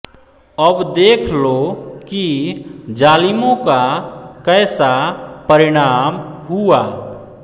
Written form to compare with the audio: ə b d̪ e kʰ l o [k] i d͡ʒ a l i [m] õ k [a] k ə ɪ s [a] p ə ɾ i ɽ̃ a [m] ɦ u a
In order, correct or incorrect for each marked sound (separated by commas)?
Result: correct, correct, correct, correct, correct